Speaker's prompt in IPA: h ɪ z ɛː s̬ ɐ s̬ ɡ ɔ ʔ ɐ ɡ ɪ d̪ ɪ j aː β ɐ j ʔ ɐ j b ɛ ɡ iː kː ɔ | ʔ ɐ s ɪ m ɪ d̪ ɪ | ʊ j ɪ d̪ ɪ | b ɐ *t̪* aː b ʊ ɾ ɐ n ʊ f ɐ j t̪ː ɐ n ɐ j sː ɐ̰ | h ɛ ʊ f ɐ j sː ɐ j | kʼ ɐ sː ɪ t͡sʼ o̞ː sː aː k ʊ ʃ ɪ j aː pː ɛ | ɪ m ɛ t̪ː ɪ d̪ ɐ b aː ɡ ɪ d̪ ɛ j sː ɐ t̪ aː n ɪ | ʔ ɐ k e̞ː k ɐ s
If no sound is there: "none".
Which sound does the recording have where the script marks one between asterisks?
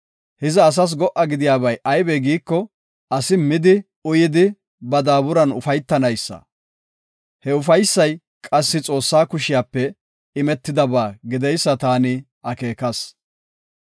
d̪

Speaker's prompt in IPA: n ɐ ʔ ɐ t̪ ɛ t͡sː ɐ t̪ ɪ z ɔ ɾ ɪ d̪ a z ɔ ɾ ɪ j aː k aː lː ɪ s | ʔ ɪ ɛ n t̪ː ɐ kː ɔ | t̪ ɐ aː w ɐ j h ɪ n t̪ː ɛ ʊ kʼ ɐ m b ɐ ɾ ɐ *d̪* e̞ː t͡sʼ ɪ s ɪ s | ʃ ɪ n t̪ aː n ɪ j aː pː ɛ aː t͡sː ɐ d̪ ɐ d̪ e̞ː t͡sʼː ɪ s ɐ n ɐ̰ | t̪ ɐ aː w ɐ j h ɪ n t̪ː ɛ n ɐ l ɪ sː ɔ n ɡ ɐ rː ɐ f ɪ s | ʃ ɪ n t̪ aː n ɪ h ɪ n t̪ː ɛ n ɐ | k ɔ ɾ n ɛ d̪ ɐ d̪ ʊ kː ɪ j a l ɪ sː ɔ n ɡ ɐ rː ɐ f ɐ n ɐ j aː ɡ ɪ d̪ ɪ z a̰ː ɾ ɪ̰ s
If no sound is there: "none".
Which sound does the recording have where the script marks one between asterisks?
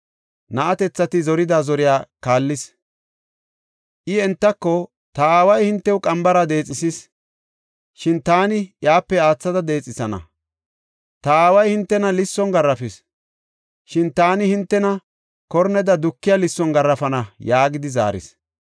d̪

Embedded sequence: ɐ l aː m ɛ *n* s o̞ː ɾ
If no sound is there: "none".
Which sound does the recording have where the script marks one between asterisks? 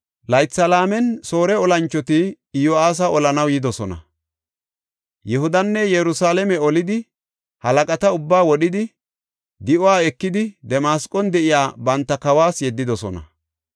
n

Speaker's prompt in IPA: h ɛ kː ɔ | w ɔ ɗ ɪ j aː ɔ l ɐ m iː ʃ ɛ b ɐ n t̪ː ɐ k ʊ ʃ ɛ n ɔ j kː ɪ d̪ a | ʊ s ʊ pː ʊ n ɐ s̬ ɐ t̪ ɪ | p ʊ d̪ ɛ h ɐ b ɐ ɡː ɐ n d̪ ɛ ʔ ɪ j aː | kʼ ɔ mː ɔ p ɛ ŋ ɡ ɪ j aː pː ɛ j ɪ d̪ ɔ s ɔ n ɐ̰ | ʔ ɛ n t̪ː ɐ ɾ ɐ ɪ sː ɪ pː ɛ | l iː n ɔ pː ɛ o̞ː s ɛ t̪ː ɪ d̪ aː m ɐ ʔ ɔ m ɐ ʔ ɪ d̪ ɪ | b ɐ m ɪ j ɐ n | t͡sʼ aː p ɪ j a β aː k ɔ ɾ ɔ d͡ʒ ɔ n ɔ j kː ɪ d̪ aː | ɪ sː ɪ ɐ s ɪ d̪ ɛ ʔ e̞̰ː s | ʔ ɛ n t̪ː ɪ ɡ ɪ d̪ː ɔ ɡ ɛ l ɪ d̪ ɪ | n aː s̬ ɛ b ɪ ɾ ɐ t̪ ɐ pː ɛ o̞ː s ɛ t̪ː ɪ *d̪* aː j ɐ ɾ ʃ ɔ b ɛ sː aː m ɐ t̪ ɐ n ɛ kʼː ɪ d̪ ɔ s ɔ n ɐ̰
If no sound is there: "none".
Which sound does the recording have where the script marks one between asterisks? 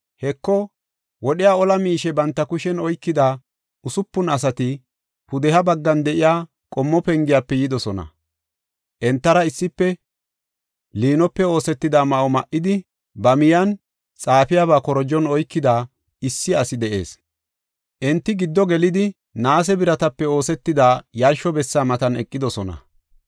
d̪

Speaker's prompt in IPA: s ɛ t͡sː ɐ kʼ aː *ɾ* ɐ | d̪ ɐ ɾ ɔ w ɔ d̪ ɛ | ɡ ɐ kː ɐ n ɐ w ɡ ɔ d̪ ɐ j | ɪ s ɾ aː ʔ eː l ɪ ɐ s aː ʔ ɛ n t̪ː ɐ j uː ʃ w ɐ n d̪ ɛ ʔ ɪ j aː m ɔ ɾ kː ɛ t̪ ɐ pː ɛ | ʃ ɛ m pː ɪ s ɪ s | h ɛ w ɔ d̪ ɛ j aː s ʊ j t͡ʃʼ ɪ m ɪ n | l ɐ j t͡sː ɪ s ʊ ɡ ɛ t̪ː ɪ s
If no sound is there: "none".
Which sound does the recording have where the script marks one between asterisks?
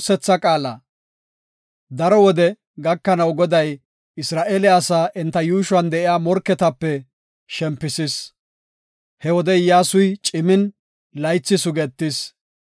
l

